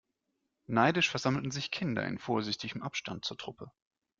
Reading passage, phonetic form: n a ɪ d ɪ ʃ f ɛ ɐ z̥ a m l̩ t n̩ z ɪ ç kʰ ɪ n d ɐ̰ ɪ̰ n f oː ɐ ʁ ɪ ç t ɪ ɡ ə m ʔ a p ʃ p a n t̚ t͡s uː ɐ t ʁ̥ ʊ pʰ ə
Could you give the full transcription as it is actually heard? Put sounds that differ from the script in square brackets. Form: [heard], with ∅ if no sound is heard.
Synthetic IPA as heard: n a ɪ d ɪ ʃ f ɛ ɐ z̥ a m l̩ t n̩ z ɪ ç kʰ ɪ n d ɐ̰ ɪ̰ n f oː ɐ [z] ɪ ç t ɪ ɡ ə m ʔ a p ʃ [t] a n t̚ t͡s uː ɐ t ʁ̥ ʊ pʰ ə